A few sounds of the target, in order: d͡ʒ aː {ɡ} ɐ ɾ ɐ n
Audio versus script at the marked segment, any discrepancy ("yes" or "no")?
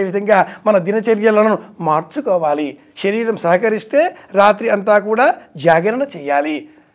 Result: no